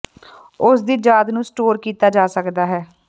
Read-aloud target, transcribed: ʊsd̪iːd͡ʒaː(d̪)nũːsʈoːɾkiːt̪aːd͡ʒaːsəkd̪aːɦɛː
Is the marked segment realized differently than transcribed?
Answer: no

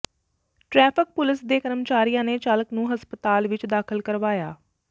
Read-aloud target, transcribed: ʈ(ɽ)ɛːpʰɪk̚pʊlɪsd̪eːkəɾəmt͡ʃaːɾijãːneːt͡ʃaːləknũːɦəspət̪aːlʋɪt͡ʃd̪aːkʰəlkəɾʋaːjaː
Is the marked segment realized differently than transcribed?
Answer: yes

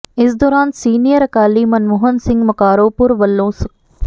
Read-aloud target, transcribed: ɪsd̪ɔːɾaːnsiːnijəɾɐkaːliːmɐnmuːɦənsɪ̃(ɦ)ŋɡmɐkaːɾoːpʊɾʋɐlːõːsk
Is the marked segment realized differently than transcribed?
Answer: yes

